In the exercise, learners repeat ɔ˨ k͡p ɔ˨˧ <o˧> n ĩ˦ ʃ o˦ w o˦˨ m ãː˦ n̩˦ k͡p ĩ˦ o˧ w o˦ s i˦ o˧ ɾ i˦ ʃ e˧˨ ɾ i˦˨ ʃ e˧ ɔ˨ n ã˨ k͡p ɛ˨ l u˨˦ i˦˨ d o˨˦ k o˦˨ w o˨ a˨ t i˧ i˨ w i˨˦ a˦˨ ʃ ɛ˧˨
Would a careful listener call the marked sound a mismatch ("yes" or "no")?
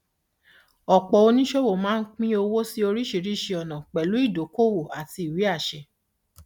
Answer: no